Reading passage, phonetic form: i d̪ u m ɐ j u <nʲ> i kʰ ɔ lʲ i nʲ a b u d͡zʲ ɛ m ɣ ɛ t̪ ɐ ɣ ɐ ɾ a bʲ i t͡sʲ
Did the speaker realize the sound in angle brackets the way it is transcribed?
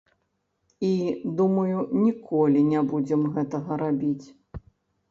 yes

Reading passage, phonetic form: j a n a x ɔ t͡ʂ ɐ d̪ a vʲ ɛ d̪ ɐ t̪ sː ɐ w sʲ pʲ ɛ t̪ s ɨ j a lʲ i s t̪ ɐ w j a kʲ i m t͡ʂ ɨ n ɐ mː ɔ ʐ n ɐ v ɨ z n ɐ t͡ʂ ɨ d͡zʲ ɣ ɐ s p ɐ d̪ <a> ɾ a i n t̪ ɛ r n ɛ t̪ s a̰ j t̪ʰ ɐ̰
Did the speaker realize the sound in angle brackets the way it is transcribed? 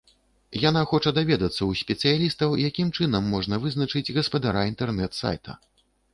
yes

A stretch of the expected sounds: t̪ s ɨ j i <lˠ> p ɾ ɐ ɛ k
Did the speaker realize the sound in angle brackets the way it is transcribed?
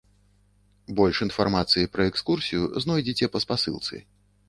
no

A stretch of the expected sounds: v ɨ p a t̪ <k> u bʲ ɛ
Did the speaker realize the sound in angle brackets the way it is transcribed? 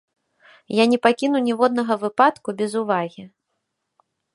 yes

